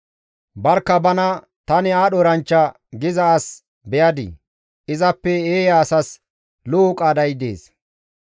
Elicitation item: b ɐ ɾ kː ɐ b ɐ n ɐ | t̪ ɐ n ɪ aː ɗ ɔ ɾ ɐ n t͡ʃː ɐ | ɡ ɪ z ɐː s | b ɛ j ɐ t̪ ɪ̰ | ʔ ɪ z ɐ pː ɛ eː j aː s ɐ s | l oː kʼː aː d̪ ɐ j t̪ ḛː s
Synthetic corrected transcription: b ɐ ɾ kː ɐ b ɐ n ɐ | t̪ ɐ n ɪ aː ɗ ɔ ɾ ɐ n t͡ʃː ɐ | ɡ ɪ z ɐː s | b ɛ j ɐ d̪ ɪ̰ | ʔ ɪ z ɐ pː ɛ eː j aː s ɐ s | l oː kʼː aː d̪ ɐ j d̪ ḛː s